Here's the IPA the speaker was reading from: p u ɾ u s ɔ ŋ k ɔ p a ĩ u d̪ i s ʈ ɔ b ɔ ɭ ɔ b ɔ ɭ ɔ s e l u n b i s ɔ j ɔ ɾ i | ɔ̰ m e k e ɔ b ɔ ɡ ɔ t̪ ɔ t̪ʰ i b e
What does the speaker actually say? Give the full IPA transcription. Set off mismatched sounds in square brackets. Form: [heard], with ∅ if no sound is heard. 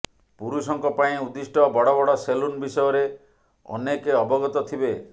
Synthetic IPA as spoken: p u ɾ u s ɔ ŋ k ɔ p a ĩ u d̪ i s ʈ ɔ b ɔ [ɽ] ɔ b ɔ [ɽ] ɔ s e l u n b i s ɔ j ɔ ɾ [e] | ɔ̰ [n] e k e ɔ b ɔ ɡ ɔ t̪ ɔ t̪ʰ i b e